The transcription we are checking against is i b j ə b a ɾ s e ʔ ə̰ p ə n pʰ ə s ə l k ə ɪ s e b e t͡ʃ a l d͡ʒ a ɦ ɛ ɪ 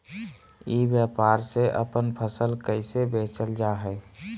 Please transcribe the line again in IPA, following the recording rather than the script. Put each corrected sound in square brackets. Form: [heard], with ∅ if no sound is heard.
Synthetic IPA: i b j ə [p] a ɾ s e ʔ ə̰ p ə n pʰ ə s ə l k ə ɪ s e b e t͡ʃ [ə] l d͡ʒ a ɦ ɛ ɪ